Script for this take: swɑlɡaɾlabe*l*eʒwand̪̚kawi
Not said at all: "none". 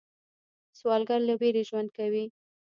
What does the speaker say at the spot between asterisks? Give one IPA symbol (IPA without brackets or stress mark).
ɾ